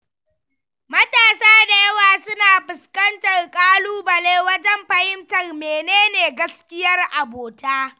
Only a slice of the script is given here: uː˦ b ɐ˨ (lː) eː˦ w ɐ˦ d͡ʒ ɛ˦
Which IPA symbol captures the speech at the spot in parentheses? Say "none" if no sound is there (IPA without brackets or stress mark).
l